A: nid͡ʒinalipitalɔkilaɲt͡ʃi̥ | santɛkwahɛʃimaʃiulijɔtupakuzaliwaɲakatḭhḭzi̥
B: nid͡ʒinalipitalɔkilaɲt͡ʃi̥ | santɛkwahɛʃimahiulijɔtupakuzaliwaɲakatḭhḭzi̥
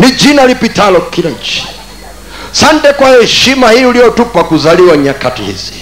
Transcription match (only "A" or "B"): B